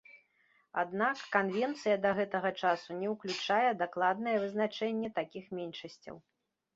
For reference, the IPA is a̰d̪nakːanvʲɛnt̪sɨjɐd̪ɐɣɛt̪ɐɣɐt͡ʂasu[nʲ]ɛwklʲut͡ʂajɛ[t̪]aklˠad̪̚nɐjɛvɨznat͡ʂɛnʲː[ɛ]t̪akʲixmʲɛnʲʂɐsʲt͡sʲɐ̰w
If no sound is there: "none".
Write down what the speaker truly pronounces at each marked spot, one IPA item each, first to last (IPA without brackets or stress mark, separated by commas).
nʲ, d̪, ɛ